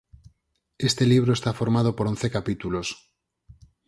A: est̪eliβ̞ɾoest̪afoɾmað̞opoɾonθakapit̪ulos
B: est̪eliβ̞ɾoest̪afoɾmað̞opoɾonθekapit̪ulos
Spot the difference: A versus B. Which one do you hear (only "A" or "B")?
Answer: B